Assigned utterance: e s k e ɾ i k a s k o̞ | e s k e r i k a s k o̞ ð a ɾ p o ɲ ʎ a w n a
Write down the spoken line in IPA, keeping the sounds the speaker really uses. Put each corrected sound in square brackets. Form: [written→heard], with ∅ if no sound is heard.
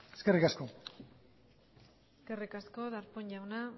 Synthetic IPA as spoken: e s k e [ɾ→r] i k a s k o̞ | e s k e r i k a s k o̞ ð a ɾ p o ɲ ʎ a w n a